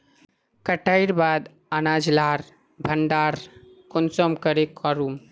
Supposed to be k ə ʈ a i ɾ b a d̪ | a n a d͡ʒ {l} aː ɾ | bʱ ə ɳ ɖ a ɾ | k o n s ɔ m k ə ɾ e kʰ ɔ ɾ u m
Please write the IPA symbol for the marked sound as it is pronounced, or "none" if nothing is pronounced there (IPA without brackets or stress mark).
l